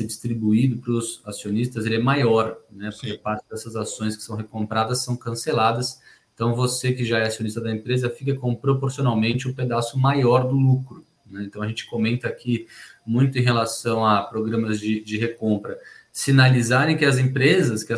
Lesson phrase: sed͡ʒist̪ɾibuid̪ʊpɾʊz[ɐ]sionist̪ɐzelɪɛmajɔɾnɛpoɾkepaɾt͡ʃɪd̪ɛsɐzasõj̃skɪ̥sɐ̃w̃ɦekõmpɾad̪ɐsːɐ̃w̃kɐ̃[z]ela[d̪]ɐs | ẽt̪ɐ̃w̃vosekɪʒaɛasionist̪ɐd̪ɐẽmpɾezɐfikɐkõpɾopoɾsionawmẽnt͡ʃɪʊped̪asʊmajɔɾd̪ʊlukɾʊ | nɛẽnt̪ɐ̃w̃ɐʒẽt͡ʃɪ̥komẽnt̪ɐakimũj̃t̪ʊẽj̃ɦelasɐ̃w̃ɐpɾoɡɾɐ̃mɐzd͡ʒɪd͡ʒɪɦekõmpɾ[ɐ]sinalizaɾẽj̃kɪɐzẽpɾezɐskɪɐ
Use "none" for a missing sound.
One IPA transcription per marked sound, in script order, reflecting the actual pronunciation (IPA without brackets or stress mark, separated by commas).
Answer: a, s, d̪, ɐ